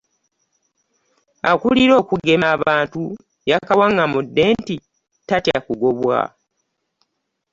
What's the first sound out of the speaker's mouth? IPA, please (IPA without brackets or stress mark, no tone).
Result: a